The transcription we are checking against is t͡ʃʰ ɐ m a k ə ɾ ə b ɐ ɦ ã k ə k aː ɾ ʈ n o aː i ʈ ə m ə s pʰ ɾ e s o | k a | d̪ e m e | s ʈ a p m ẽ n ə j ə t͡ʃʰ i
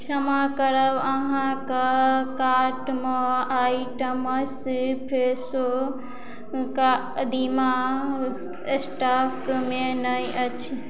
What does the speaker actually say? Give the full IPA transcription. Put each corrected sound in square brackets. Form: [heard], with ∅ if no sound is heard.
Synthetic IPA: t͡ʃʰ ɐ m a k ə ɾ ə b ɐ ɦ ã k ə k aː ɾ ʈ [m] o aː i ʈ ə m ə s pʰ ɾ e s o | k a | d̪ [i] m [a] | s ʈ a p m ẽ n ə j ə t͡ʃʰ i